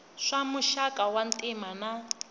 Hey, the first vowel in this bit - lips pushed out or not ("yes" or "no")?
no